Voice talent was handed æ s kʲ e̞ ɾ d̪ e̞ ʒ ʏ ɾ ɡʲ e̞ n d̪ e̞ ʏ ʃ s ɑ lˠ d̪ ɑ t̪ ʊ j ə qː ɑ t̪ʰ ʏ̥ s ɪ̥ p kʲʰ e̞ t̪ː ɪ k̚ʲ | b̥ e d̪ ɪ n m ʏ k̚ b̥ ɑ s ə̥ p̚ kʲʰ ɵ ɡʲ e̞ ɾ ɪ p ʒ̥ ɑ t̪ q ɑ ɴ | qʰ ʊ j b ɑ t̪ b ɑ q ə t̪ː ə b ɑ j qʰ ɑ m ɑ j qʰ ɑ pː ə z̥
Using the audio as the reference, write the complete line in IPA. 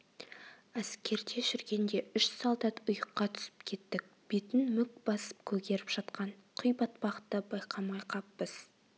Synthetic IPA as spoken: æ s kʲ e̞ ɾ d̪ e̞ ʒ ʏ ɾ ɡʲ e̞ n d̪ e̞ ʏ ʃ s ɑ lˠ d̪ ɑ t̪ ʊ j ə qː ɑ t̪ʰ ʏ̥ s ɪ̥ p kʲʰ e̞ t̪ː ɪ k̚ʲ | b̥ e t̪ ɪ n m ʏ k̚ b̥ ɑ s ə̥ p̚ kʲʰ ɵ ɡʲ e̞ ɾ ɪ p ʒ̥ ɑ t̪ q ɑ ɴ | qʰ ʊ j b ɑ t̪ b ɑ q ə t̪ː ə b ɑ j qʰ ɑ m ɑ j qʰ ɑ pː ə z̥